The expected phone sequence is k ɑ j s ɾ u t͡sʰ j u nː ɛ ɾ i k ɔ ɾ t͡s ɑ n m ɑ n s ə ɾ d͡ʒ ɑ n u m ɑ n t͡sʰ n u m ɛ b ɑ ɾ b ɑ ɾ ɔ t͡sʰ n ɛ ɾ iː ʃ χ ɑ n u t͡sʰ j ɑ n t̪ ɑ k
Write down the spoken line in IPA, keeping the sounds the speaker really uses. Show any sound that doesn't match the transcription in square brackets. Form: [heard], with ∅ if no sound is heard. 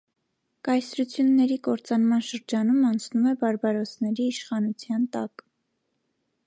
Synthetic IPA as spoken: k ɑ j s ɾ u t͡sʰ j u nː ɛ ɾ i k ɔ ɾ t͡s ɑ n m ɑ n [ʃ] ə ɾ d͡ʒ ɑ n u m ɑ n t͡sʰ n u m ɛ b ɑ ɾ b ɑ ɾ ɔ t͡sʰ n ɛ ɾ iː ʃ χ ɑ n u t͡sʰ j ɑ n t̪ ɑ k